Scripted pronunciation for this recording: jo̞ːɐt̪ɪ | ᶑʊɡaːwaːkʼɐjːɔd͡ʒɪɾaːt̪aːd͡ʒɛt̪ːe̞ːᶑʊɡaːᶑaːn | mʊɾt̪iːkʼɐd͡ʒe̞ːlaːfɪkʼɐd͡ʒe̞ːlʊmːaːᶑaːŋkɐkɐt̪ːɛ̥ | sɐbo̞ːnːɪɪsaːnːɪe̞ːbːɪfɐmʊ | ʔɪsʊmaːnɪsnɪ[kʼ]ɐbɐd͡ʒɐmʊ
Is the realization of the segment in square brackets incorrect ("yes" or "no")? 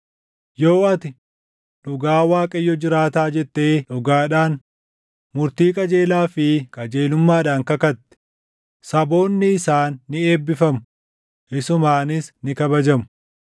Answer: yes